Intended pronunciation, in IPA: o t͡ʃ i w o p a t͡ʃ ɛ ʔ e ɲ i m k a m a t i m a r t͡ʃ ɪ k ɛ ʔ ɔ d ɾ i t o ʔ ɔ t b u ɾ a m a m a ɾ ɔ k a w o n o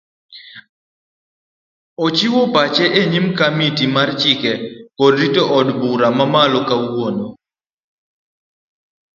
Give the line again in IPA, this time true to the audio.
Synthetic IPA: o t͡ʃ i w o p a t͡ʃ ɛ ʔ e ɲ i m k a m i t i m a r t͡ʃ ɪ k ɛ k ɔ d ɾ i t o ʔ ɔ d b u ɾ a m a m a l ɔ k a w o n o